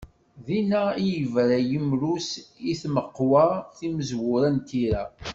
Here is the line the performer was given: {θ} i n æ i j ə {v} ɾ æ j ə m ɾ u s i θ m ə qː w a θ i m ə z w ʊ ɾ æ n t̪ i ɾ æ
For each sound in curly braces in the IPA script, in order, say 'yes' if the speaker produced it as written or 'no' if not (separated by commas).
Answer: no, yes